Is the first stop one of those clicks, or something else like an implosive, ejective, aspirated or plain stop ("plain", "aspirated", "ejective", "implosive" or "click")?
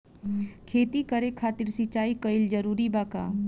aspirated